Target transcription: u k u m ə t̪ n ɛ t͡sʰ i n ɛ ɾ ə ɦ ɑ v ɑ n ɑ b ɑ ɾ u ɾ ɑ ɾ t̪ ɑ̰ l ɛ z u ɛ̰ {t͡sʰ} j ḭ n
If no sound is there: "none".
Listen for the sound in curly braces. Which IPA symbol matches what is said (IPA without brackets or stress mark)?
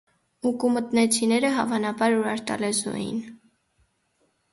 none